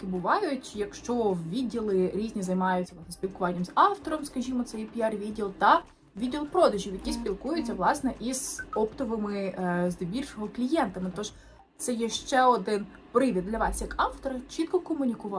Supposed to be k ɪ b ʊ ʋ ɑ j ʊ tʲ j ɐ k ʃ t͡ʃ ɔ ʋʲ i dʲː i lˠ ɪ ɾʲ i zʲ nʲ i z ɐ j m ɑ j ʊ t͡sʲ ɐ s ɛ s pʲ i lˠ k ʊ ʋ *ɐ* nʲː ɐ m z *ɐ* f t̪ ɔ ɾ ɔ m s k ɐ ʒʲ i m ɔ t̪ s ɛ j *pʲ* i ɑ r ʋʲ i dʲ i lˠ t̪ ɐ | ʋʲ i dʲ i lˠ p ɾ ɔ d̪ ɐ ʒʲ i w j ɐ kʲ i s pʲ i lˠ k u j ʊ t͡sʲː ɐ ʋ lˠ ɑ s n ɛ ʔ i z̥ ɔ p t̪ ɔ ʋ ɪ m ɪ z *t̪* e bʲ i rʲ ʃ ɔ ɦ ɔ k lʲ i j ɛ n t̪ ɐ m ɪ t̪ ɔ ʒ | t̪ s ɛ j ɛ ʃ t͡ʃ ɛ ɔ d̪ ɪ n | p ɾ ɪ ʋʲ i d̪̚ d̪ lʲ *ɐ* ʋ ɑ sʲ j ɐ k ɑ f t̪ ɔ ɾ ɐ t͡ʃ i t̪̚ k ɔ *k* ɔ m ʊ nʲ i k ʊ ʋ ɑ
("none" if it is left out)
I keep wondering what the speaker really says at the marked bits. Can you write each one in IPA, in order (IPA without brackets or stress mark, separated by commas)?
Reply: ɑ, ɑ, pʲ, d̪, ɐ, k